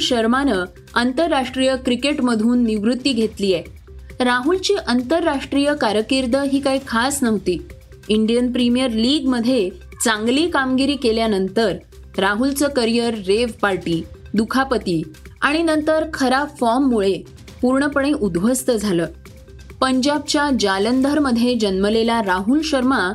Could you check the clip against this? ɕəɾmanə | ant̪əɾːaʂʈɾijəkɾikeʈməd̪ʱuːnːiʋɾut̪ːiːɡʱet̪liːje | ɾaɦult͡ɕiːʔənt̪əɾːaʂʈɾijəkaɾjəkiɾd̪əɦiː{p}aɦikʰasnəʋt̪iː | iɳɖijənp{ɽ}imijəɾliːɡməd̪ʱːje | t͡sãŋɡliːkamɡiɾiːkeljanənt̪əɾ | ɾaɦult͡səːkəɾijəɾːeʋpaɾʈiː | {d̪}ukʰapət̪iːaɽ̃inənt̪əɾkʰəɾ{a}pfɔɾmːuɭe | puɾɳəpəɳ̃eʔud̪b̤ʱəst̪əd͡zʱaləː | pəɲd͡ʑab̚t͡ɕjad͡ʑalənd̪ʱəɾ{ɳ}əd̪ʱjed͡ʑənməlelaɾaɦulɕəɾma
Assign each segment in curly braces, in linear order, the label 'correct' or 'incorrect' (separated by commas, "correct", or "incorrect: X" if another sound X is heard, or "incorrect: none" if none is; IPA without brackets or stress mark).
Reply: incorrect: k, incorrect: ɾ, correct, correct, incorrect: m